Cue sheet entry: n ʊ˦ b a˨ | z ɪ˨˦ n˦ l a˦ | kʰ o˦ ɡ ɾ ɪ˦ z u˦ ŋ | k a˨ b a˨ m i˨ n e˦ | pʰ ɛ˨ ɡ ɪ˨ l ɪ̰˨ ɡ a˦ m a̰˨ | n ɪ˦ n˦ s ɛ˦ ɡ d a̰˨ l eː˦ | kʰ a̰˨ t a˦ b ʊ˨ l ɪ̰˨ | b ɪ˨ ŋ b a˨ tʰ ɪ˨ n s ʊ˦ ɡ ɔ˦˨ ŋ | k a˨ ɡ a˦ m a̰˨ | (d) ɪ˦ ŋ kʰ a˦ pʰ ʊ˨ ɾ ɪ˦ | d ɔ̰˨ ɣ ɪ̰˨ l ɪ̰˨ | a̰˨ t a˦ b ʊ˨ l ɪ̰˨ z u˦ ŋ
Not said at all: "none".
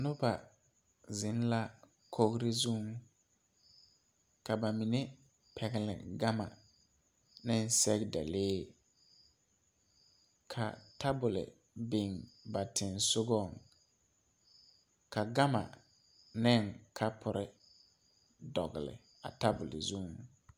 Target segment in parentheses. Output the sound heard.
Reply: n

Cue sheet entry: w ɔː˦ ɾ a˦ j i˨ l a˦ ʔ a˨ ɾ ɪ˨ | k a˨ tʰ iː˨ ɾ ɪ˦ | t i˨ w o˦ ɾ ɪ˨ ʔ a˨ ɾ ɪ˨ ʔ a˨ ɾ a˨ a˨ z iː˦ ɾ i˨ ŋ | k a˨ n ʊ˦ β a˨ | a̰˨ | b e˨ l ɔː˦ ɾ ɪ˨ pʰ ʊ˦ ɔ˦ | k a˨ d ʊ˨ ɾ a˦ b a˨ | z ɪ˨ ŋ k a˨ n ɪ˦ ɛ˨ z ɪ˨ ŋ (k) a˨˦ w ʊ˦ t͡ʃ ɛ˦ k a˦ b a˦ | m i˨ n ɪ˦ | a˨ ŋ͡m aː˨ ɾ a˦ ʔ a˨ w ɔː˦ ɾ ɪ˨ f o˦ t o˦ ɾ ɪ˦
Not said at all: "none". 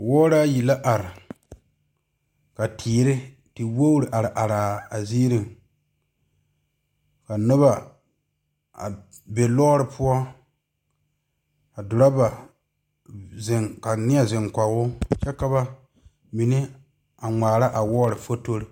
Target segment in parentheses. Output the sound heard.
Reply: k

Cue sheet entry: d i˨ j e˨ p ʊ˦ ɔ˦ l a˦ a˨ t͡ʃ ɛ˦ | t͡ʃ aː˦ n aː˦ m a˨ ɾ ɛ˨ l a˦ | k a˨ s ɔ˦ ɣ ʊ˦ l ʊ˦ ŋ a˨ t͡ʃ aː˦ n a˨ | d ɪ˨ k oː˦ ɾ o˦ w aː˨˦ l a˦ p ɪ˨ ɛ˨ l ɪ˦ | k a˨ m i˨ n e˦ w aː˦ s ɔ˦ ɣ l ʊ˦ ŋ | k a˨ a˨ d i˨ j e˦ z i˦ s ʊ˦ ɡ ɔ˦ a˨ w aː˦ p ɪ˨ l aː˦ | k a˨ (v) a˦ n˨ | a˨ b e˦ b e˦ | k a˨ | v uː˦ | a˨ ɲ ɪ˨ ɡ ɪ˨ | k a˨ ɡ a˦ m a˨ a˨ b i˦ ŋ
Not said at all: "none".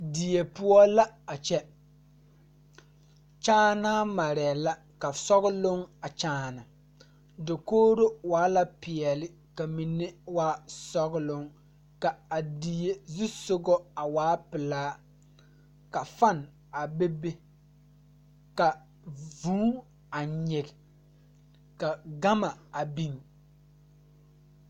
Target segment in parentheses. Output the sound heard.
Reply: f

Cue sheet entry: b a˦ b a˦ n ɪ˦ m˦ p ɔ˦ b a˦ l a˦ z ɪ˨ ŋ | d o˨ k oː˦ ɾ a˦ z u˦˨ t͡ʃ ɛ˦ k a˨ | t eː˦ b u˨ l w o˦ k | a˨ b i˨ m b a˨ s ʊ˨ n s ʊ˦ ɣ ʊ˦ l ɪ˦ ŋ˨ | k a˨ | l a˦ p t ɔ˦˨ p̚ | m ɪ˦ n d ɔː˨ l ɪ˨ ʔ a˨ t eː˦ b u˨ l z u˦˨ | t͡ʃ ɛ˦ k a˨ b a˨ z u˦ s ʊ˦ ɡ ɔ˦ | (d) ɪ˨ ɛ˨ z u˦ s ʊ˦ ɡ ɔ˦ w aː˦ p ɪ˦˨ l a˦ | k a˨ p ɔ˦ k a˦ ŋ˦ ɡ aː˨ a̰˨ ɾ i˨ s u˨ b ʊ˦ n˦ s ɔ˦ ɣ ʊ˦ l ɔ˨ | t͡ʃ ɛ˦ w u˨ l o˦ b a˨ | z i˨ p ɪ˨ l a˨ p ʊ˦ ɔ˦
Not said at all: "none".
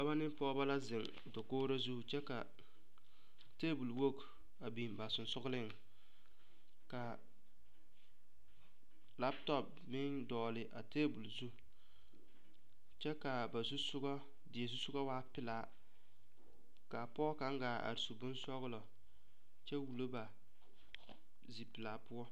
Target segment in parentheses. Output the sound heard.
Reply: d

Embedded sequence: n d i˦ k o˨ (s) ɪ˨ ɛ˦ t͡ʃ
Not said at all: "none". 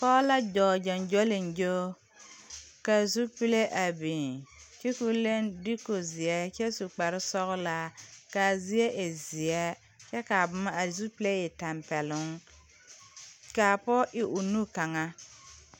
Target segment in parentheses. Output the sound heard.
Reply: z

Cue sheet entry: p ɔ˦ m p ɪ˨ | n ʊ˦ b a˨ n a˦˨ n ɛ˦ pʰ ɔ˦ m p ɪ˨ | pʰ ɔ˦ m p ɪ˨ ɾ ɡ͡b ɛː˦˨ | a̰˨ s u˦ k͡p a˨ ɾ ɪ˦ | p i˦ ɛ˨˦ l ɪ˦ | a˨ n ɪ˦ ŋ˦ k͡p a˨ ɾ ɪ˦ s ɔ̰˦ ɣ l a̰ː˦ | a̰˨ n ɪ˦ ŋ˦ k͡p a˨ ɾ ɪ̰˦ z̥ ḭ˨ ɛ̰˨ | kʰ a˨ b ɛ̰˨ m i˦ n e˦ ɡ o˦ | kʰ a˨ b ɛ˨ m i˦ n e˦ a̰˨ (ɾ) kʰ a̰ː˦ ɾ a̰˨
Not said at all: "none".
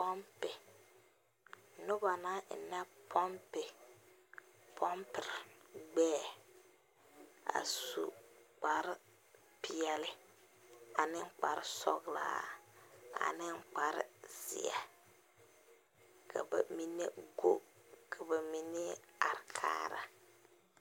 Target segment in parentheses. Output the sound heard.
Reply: ɾ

